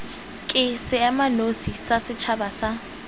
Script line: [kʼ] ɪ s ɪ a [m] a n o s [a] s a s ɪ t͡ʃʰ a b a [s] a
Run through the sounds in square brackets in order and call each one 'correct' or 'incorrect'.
correct, correct, incorrect, correct

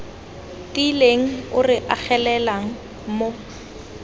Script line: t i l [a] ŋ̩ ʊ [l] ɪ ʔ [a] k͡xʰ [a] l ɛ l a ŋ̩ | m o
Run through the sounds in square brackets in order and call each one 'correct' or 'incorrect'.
incorrect, incorrect, correct, incorrect

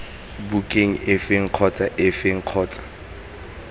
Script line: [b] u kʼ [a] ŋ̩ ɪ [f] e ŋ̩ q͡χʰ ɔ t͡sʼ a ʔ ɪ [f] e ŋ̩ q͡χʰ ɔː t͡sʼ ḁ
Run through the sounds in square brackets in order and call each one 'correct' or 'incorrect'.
correct, incorrect, correct, correct

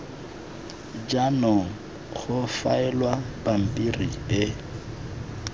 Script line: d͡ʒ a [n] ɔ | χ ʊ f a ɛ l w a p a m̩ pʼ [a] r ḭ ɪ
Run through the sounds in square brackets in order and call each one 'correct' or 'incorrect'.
correct, incorrect

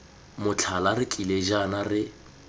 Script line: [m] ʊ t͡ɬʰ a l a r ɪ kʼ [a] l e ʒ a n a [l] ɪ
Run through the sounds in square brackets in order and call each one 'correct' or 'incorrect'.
correct, incorrect, incorrect

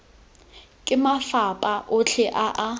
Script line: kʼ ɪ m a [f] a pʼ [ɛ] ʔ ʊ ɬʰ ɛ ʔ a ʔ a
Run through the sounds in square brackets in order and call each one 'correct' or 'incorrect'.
correct, incorrect

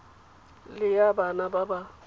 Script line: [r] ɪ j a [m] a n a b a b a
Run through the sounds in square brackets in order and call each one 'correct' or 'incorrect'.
incorrect, incorrect

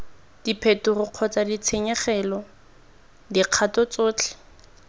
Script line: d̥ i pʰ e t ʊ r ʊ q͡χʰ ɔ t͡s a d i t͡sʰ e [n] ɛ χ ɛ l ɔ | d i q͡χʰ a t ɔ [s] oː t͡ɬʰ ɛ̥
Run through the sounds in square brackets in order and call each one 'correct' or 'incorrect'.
incorrect, incorrect

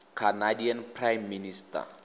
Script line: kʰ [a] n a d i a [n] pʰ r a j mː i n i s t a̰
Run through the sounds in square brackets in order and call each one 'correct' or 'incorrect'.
correct, correct

